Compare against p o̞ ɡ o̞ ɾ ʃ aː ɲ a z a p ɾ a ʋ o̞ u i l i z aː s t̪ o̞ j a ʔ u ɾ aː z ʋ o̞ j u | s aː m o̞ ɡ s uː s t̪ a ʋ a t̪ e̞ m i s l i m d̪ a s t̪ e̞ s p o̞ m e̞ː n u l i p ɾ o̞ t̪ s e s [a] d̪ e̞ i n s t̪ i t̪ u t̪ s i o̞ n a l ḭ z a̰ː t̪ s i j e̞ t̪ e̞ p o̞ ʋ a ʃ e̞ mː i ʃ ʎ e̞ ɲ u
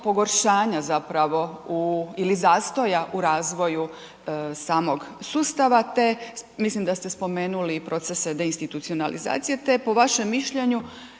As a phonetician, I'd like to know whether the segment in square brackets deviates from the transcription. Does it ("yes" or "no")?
yes